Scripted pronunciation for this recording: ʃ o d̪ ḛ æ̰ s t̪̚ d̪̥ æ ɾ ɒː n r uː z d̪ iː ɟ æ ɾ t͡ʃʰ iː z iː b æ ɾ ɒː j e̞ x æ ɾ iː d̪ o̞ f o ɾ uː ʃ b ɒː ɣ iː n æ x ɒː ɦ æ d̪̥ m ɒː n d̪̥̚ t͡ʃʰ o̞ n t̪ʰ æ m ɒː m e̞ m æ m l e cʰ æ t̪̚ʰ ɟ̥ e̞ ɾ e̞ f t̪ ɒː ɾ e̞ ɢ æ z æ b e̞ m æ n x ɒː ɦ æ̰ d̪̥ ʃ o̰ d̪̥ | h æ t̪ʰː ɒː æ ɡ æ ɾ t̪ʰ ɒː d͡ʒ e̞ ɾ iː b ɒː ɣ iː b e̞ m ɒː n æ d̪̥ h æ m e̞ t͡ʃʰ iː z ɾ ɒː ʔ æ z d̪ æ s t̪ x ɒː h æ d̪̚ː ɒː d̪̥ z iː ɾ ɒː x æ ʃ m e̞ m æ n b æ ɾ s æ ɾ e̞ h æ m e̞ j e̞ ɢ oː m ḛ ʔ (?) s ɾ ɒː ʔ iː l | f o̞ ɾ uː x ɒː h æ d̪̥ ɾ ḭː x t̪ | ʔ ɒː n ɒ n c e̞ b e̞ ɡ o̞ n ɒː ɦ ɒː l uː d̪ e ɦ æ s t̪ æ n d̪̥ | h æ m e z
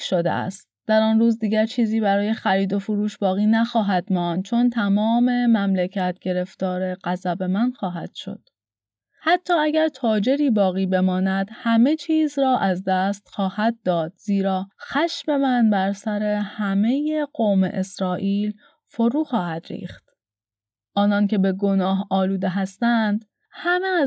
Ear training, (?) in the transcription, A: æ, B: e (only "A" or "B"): B